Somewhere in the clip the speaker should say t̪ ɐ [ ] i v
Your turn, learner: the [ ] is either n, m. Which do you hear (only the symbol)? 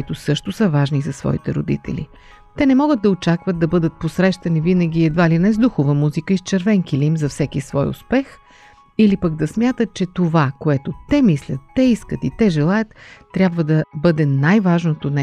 n